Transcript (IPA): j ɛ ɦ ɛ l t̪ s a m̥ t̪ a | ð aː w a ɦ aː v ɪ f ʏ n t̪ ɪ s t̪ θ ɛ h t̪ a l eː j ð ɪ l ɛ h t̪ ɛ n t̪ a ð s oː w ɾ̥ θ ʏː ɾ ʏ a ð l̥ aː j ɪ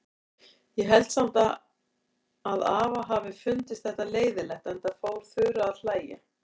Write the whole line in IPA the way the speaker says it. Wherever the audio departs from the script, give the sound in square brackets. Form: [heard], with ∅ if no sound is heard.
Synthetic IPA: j ɛ ɦ ɛ l t̪ s a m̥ t̪ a | ð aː [v] a ɦ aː v ɪ f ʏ n t̪ ɪ s t̪ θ ɛ h t̪ a l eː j ð ɪ l ɛ h t̪ ɛ n t̪ a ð [f] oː w ɾ̥ θ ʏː ɾ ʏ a ð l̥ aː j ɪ

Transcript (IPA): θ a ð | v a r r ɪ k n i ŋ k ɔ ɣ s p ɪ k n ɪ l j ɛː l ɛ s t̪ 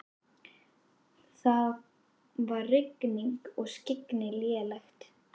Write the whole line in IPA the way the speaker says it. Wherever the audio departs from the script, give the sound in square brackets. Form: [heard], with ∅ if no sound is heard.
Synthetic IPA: θ a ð | v a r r ɪ k n i ŋ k ɔ ɣ s [c] ɪ k n ɪ l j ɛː l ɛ [x] t̪

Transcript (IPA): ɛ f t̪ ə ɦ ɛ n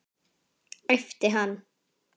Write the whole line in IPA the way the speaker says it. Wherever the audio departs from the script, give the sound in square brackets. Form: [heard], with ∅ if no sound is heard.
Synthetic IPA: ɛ f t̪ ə ɦ [a] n

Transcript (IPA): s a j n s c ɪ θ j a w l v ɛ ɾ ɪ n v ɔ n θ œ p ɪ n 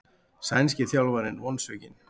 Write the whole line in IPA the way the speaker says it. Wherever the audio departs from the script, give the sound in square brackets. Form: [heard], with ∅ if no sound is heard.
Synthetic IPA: s a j n s c ɪ θ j a w l v [a] ɾ ɪ n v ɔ n [s] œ [c] ɪ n

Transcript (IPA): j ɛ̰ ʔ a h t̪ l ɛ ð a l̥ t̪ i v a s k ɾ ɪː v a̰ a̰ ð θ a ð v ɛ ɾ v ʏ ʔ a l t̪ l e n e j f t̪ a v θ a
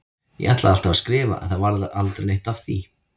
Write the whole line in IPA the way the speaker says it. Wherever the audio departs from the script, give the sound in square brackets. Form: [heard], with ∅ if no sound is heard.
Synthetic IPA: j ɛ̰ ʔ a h t̪ l [a] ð a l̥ t̪ [a] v a s k ɾ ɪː v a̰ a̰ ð θ a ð v [a] ɾ [ð] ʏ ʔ a l t̪ [ɾ] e n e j [h] t̪ a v θ [i]

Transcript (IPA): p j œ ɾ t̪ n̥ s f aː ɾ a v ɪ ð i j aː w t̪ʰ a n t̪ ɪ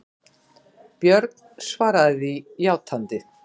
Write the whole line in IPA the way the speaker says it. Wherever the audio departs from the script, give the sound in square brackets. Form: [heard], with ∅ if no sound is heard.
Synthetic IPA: p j œ ɾ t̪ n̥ s [v] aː ɾ a [ð] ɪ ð i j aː w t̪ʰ a n t̪ ɪ

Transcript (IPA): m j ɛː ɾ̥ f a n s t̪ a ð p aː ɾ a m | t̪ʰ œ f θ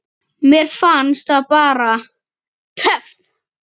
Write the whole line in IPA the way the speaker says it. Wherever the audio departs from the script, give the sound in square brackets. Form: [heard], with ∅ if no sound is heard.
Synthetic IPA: m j [ɛ] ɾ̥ f a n s t̪ a ð p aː ɾ a [∅] | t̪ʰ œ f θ

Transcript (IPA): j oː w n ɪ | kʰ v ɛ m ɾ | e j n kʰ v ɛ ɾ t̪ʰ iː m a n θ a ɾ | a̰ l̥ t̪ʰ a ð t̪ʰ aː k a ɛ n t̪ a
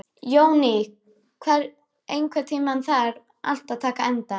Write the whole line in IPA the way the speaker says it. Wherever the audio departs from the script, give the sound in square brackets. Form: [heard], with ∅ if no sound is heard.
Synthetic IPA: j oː w n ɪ | kʰ v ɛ [∅] ɾ | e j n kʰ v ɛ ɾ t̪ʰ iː m a n θ a ɾ | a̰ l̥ [t̪] a ð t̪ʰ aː k a ɛ n t̪ a

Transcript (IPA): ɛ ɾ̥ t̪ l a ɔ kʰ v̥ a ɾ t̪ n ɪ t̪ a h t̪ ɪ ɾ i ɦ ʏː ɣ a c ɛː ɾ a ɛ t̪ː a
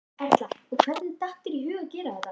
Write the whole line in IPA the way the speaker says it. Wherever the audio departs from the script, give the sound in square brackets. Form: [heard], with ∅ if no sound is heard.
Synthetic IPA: ɛ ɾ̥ t̪ l a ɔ kʰ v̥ [ɛ] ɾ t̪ n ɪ t̪ a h t̪ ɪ ɾ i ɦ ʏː ɣ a c ɛː ɾ a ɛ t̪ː a

